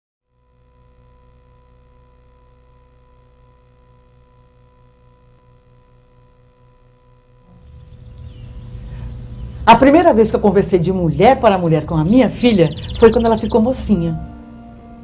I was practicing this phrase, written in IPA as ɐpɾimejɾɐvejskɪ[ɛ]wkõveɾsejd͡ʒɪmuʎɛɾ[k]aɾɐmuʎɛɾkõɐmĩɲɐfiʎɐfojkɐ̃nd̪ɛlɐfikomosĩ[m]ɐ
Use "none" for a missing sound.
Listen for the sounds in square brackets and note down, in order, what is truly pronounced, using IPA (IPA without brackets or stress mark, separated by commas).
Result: e, p, ɲ